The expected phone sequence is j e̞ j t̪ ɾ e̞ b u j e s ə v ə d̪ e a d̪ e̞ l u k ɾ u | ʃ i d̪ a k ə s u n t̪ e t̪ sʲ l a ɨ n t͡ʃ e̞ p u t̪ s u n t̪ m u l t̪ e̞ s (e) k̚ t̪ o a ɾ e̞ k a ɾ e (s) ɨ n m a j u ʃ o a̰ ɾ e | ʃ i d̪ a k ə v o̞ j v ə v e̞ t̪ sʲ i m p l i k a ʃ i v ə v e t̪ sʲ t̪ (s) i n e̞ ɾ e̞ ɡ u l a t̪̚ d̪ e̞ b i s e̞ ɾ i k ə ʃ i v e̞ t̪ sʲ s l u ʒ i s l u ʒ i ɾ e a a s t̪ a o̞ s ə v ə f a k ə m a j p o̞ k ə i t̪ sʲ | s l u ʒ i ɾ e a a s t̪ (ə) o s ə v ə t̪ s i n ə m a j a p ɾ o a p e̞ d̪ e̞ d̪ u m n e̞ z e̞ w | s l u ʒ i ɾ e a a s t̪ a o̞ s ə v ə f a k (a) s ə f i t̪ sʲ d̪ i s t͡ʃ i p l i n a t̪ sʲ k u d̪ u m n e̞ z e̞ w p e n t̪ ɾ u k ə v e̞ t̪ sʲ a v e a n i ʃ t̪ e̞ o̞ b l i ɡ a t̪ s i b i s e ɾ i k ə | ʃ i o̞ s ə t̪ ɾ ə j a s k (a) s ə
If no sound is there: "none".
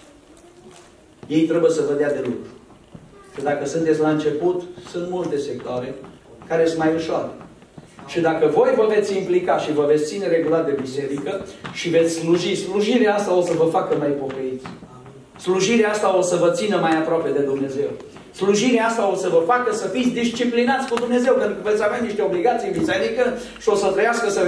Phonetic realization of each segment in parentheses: e, s, s, a, ə, ə

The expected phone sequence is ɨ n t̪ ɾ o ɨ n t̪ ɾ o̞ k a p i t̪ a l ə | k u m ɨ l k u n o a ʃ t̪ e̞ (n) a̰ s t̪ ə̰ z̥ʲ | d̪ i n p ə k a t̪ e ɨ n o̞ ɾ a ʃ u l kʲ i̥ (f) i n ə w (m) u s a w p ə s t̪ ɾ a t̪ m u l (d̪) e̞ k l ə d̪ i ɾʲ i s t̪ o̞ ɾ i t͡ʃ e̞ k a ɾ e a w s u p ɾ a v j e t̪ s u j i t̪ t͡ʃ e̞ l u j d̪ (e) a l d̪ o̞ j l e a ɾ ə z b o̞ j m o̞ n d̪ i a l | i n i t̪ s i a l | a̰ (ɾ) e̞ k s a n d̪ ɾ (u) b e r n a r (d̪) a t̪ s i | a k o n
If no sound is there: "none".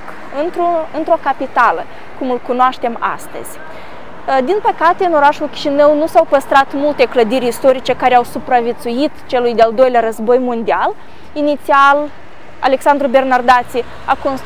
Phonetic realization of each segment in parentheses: m, ʃ, n, t̪, e, l, u, d̪

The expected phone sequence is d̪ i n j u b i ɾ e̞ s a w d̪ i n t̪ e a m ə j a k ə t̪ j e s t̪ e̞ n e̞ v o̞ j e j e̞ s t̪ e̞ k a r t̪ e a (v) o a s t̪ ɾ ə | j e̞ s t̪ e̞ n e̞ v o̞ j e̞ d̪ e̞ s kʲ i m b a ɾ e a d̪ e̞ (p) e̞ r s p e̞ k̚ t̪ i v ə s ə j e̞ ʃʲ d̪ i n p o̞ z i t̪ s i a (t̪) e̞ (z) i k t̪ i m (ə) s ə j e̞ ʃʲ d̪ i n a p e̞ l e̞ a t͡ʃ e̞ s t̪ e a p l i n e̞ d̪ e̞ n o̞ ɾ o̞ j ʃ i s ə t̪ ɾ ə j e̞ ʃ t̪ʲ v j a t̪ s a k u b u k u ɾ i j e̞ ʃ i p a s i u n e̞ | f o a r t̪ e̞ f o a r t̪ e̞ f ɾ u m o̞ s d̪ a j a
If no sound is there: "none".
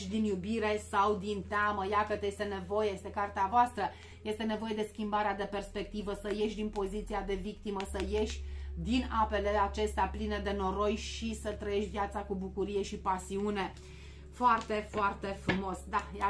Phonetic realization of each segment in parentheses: v, p, d̪, v, ə

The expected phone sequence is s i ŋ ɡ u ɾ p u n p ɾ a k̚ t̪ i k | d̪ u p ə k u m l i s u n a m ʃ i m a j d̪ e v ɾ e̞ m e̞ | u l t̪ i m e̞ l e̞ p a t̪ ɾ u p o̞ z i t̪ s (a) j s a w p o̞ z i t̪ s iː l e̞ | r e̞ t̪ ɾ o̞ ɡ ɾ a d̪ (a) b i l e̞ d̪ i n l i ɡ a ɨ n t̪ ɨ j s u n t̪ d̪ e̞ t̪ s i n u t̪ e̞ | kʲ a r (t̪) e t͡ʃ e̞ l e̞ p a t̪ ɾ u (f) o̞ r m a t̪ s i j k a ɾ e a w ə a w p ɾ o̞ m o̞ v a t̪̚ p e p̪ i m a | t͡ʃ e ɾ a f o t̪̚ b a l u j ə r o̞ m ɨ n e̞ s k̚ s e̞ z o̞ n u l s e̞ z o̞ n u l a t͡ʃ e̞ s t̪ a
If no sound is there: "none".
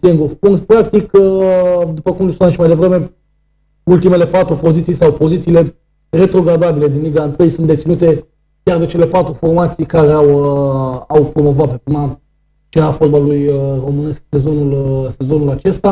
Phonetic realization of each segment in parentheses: i, a, d̪, f

